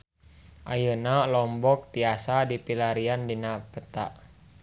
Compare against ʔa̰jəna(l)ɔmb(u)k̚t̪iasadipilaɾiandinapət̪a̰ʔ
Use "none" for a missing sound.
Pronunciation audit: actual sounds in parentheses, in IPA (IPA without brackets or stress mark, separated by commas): l, ɔ